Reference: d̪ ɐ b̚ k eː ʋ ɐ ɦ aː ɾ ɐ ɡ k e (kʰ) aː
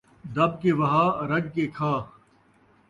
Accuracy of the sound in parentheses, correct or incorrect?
correct